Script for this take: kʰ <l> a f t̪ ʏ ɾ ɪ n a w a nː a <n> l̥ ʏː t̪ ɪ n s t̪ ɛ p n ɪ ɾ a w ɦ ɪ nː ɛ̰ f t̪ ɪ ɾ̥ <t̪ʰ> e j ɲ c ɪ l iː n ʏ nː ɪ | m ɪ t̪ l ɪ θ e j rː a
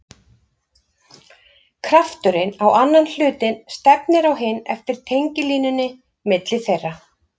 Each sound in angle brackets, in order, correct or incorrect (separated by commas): incorrect, correct, correct